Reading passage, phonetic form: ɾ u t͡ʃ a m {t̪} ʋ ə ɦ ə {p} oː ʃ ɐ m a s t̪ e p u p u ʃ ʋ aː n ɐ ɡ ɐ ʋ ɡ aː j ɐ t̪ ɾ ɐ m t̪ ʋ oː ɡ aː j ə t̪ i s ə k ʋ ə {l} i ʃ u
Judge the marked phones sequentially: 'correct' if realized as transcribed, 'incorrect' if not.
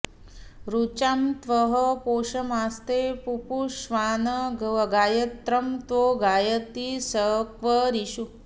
correct, correct, incorrect

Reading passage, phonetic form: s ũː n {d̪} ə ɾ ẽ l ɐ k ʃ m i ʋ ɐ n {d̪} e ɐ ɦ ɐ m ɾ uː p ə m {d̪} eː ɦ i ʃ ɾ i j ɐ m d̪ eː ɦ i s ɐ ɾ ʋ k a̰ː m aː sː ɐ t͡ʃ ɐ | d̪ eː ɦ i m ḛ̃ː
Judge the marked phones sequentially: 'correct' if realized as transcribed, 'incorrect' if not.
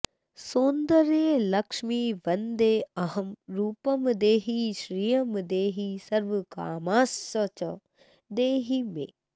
correct, correct, correct

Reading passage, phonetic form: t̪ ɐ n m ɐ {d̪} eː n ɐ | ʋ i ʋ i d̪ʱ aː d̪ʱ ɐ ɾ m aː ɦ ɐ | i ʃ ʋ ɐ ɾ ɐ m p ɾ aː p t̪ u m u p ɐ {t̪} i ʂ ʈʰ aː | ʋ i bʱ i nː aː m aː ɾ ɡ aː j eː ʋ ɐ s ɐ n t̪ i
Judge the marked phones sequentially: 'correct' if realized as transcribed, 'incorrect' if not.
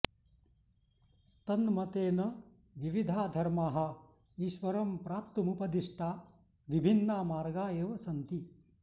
incorrect, incorrect

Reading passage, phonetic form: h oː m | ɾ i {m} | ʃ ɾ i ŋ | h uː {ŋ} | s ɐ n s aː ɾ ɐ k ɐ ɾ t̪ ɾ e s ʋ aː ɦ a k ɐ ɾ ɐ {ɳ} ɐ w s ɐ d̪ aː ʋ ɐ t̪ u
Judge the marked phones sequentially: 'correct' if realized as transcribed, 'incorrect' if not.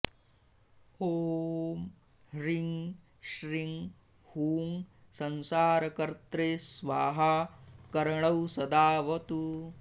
incorrect, correct, correct

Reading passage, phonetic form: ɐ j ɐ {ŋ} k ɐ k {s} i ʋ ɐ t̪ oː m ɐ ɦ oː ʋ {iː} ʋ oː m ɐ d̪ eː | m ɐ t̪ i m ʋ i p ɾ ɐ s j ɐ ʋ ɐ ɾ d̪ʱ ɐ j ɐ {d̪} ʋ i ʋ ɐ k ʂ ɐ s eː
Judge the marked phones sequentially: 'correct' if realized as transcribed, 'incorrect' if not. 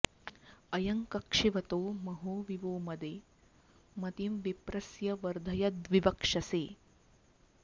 correct, incorrect, incorrect, correct

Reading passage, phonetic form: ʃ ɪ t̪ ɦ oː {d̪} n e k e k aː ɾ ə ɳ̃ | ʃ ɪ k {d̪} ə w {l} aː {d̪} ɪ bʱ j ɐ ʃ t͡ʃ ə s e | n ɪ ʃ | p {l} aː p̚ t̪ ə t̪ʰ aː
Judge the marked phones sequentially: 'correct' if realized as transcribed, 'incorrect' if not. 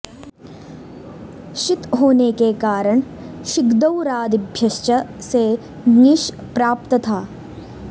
incorrect, correct, incorrect, correct, incorrect

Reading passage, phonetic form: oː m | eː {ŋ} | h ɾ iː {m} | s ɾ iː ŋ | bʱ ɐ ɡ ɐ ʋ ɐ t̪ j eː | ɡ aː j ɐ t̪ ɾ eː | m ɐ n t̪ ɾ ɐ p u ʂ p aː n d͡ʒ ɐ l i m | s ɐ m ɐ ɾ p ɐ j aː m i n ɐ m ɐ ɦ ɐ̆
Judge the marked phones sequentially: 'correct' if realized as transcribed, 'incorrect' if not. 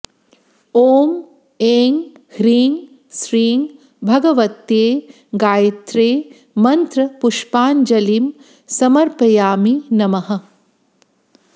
correct, incorrect

